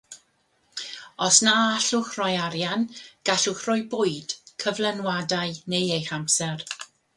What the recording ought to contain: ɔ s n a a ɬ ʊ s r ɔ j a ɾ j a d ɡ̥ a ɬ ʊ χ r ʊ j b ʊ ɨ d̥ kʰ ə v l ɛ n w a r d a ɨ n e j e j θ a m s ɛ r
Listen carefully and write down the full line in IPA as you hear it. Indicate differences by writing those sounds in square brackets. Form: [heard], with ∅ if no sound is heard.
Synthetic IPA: ɔ s n a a ɬ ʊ [χ] r ɔ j a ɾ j a [n] ɡ̥ a ɬ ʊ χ r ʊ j b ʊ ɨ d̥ kʰ ə v l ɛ n w a [∅] d a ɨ n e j e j [χ] a m s ɛ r